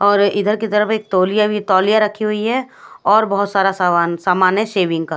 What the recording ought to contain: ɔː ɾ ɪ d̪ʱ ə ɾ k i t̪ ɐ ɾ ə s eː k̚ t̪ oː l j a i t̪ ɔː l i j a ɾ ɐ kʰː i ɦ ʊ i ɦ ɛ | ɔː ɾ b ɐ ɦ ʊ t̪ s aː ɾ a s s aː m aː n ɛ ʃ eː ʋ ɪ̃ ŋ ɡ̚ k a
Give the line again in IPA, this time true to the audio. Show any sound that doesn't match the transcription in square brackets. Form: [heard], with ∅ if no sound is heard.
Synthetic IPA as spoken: ɔː ɾ ɪ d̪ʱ ə ɾ k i t̪ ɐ ɾ ə [f] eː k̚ t̪ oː l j a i t̪ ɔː l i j a ɾ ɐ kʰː i ɦ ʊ i ɦ ɛ | ɔː ɾ b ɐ ɦ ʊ t̪ s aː ɾ a s s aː m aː n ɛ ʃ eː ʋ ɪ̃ ŋ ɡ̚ k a

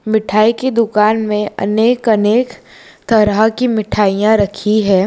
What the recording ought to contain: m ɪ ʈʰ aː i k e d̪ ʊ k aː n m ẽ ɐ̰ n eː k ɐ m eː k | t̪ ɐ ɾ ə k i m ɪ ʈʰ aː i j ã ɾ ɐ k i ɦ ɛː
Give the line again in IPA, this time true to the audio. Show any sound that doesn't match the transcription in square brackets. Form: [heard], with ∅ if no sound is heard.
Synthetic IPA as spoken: m ɪ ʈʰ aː i k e d̪ ʊ k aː n m ẽ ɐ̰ n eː k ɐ [n] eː k | t̪ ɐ ɾ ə k i m ɪ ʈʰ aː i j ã ɾ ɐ [kʰ] i ɦ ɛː

